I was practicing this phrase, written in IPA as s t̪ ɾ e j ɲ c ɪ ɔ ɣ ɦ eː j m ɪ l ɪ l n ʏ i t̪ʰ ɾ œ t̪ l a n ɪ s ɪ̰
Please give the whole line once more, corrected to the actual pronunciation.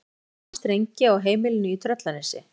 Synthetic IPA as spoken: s t̪ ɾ e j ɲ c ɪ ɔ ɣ ɦ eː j m ɪ l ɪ n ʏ i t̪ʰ ɾ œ t̪ l a n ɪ s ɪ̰

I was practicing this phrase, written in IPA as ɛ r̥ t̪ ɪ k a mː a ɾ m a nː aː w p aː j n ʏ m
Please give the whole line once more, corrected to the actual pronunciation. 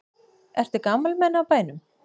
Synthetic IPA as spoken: ɛ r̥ t̪ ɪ k a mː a l m ɛ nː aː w p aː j n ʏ m

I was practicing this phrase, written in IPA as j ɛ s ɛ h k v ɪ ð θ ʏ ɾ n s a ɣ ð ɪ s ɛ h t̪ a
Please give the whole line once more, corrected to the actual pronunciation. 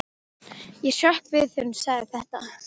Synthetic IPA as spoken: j ɛ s œ h k v ɪ ð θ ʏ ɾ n s a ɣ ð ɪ θ ɛ h t̪ a

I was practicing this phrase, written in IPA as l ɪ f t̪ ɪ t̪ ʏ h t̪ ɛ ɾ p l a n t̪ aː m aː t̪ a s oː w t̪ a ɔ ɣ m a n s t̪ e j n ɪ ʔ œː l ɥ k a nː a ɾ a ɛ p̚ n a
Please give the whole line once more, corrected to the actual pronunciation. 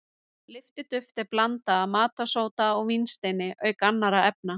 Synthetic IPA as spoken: l ɪ f t̪ ɪ t̪ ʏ f t̪ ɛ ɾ p l a n t̪ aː m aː t̪ a s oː w t̪ a ɔ ɣ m i n s t̪ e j n ɪ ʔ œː ɥ k a nː a ɾ a ɛ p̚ n a

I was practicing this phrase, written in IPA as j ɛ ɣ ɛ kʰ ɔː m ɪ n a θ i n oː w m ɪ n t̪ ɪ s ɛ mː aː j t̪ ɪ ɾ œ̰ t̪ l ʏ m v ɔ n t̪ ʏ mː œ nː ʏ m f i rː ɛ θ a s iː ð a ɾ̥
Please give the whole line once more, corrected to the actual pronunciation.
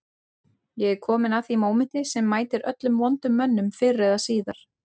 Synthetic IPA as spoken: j ɛ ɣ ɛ kʰ ɔː m ɪ n a θ i m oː w m ɪ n t̪ ɪ s ɛ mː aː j t̪ ɪ ɾ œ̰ t̪ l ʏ m v ɔ n t̪ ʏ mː œ nː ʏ m f ɪ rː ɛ ð a s iː ð a ɾ̥

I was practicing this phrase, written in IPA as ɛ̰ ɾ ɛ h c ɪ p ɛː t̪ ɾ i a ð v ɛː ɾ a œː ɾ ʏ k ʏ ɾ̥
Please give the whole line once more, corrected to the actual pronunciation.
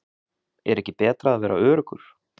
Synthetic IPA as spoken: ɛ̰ ɾ ɛ h c ɪ p ɛː t̪ ɾ a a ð v ɛː ɾ a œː ɾ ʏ k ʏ ɾ̥

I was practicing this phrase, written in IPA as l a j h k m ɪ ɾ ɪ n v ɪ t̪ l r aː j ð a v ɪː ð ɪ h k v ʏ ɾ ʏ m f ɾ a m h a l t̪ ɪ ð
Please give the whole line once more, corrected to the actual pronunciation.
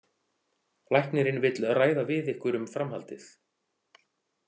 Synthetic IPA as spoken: l a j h k n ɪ ɾ ɪ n v ɪ t̪ l r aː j ð a v ɪ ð ɪ h k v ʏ ɾ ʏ m f ɾ a m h a l t̪ ɪ θ

